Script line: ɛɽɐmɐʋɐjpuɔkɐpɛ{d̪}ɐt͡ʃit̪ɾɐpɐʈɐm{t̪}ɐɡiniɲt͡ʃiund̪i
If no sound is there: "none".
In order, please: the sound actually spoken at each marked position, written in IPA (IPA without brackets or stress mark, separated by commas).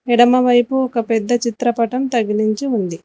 d̪ː, t̪